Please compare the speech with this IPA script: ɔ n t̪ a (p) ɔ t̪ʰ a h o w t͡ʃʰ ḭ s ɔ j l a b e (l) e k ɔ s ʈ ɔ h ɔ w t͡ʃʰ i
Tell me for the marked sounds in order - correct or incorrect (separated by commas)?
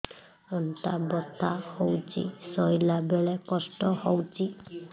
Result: incorrect, incorrect